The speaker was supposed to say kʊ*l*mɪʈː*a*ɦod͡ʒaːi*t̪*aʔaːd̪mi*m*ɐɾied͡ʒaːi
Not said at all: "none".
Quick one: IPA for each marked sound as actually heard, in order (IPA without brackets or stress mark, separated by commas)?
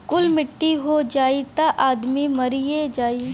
l, i, t̪, m